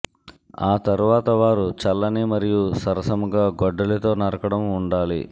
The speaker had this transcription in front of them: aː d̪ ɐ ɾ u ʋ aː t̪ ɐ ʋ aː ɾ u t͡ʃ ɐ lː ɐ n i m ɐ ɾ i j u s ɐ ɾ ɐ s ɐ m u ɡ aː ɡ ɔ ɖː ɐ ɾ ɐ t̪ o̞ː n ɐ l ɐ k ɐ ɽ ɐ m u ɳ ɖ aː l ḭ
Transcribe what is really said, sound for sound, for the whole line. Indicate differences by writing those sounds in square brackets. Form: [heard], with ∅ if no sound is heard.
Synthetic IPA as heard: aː [t̪] ɐ ɾ u ʋ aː t̪ ɐ ʋ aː ɾ u t͡ʃ ɐ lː ɐ n i m ɐ ɾ i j u s ɐ ɾ ɐ s ɐ m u ɡ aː ɡ ɔ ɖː ɐ [l] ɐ t̪ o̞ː n ɐ [ɾ] ɐ k ɐ ɽ ɐ m u ɳ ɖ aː l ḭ